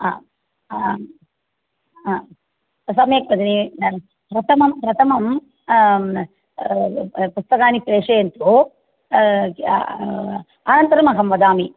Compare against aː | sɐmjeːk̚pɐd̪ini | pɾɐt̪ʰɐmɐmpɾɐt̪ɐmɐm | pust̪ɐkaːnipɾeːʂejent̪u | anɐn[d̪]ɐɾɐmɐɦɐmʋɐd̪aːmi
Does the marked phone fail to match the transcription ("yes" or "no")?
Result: yes